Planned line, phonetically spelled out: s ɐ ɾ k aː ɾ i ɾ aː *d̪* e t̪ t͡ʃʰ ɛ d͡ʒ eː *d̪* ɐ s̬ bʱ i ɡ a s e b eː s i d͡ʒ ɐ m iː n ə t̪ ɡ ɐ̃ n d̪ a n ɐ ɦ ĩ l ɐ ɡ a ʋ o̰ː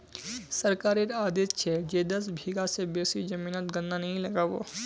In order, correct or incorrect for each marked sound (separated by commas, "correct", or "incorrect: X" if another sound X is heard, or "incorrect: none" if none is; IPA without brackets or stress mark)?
correct, correct